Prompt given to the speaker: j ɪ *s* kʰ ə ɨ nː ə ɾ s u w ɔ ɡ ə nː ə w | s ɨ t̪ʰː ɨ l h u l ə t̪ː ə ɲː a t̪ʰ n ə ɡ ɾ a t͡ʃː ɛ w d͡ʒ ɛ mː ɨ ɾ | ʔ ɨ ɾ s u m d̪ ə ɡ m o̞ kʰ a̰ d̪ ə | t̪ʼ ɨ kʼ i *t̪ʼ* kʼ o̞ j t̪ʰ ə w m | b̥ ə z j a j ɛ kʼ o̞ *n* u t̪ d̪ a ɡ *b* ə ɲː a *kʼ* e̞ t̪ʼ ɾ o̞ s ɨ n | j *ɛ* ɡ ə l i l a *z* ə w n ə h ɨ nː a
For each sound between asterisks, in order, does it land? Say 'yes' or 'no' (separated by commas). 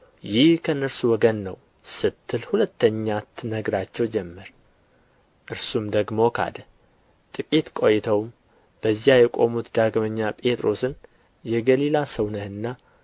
no, no, no, no, no, yes, no